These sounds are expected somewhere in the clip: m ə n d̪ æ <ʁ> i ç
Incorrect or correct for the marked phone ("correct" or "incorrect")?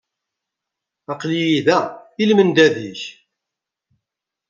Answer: incorrect